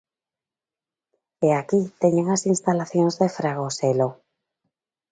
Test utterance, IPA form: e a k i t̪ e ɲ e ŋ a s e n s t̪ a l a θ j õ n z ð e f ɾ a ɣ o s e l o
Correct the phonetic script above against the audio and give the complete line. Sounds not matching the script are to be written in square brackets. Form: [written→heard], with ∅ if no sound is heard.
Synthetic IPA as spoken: e a k i t̪ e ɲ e ŋ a s [e→i] n s t̪ a l a θ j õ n z ð e f ɾ a ɣ o s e l o